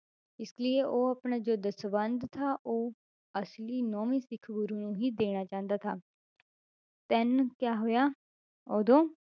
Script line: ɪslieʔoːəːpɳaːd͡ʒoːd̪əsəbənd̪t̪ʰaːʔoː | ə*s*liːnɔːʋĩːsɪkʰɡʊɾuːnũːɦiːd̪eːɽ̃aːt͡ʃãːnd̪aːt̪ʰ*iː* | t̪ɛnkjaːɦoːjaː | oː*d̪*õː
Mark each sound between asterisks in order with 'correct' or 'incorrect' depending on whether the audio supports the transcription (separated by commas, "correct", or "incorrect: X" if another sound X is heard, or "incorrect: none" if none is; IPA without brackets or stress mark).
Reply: correct, incorrect: aː, correct